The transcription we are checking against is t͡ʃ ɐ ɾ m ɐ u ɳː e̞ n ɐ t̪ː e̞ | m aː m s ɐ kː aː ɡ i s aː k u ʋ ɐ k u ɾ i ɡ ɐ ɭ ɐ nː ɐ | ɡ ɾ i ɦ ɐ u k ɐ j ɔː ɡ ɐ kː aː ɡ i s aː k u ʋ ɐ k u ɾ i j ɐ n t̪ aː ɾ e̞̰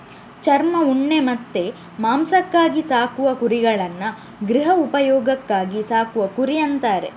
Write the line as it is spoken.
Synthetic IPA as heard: t͡ʃ ɐ ɾ m ɐ u ɳː e̞ m ɐ t̪ː e̞ | m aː m s ɐ kː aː ɡ i s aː k u ʋ ɐ k u ɾ i ɡ ɐ ɭ ɐ nː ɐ | ɡ ɾ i ɦ ɐ u p ɐ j ɔː ɡ ɐ kː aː ɡ i s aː k u ʋ ɐ k u ɾ i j ɐ n t̪ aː ɾ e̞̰